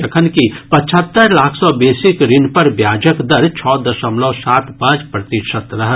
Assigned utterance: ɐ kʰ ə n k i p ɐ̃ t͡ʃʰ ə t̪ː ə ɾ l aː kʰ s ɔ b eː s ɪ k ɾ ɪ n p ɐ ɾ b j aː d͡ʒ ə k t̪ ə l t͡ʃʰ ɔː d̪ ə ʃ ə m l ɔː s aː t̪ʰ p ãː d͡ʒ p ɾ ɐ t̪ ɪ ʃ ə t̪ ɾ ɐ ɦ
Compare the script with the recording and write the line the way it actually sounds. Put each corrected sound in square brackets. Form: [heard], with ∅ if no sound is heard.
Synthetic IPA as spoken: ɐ kʰ ə n k i p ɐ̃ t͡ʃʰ ə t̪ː ə ɾ l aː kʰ s ɔ b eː s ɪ k ɾ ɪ n p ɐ ɾ b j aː d͡ʒ ə k [d̪] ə [ɾ] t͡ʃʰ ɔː d̪ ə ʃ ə m l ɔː s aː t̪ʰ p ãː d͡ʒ p ɾ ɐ t̪ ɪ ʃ ə t̪ ɾ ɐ ɦ